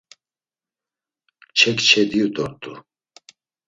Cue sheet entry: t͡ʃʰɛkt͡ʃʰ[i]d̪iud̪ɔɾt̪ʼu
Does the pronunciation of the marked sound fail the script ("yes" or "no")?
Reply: yes